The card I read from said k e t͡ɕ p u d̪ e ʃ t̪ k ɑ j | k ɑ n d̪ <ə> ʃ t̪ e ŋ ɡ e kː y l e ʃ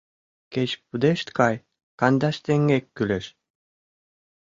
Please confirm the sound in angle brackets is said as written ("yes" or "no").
no